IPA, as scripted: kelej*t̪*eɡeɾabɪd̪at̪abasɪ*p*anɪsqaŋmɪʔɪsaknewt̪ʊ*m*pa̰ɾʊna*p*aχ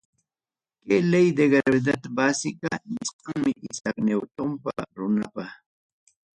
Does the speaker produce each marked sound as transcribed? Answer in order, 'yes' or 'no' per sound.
no, no, yes, yes

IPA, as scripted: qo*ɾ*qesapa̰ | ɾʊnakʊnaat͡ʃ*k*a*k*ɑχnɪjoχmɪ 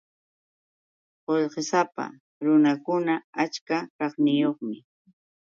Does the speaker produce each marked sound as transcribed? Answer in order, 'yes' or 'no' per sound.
no, yes, yes

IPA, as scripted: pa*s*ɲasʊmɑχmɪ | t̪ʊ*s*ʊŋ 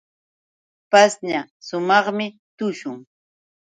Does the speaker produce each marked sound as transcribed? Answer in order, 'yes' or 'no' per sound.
yes, no

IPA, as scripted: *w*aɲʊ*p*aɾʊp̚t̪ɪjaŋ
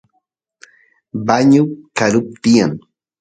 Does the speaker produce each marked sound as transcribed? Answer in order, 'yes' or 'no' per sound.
no, no

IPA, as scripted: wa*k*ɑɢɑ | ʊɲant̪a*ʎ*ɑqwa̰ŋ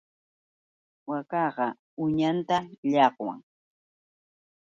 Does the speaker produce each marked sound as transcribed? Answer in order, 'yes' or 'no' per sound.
yes, yes

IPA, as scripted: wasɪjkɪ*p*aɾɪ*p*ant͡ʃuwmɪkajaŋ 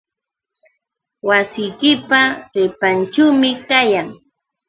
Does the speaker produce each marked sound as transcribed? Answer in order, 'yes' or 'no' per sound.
yes, yes

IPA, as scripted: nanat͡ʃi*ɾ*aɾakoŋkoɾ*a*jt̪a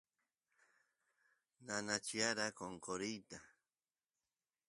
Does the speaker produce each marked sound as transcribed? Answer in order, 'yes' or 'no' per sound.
no, no

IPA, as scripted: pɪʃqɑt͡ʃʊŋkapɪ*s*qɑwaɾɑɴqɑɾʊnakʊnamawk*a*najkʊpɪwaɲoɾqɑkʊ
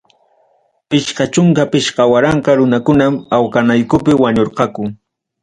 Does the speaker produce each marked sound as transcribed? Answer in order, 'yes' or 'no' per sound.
no, yes

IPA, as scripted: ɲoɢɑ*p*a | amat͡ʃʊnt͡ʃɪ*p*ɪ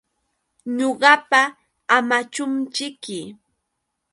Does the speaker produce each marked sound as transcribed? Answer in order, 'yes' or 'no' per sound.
yes, no

